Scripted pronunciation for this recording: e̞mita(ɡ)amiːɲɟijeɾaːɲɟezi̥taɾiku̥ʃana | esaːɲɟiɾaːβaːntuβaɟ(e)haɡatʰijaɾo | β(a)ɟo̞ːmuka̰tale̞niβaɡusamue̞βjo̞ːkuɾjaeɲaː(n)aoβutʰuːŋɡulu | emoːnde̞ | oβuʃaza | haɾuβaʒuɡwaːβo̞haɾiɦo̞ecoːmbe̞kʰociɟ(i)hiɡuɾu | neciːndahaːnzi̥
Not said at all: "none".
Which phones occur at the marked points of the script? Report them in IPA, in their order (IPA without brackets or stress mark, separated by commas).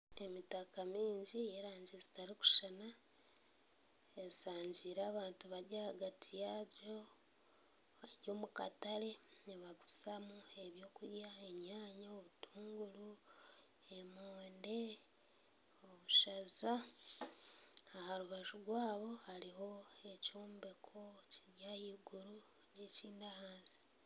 k, a, a, ɲ, a